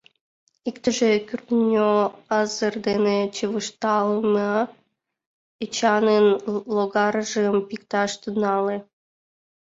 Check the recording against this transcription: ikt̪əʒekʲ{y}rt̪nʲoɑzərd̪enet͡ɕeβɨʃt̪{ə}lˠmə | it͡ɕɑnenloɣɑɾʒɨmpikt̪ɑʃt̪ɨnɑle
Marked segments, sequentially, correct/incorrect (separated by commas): correct, incorrect